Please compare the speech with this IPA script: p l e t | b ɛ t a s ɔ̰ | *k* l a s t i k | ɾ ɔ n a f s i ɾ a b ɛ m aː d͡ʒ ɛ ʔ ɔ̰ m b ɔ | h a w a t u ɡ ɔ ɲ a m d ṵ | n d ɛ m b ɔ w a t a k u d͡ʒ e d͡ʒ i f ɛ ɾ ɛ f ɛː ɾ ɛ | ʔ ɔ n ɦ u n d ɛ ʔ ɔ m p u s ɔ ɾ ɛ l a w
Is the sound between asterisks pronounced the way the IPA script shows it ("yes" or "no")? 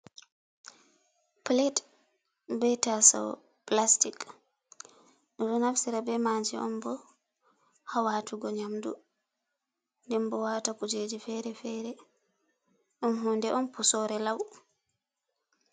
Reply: no